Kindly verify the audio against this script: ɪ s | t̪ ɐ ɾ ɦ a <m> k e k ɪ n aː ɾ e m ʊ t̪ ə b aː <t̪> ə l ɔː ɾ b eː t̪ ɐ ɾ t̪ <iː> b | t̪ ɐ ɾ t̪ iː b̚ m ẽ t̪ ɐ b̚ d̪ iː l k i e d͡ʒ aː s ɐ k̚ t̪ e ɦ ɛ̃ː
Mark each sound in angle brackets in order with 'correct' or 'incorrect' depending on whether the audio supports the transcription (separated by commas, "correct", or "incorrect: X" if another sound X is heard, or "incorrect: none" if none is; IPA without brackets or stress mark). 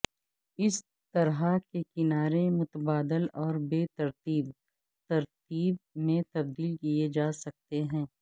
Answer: incorrect: none, incorrect: d̪, correct